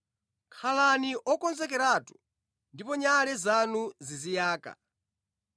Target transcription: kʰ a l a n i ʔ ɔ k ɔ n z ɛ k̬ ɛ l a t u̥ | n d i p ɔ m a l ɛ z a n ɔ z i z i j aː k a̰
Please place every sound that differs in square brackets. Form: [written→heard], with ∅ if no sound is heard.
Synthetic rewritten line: kʰ a l a n i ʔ ɔ k ɔ n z ɛ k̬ ɛ [l→ɾ] a t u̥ | n d i p ɔ [m→ɲ] a l ɛ z a n [ɔ→u] z i z i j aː k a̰